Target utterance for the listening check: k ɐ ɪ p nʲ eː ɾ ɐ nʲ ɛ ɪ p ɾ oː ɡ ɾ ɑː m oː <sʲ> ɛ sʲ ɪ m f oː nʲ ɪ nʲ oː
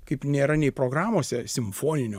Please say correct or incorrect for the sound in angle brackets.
correct